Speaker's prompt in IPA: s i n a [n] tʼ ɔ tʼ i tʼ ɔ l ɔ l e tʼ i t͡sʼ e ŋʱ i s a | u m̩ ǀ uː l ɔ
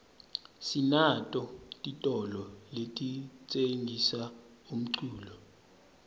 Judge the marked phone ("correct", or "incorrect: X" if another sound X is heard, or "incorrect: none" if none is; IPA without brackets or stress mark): incorrect: none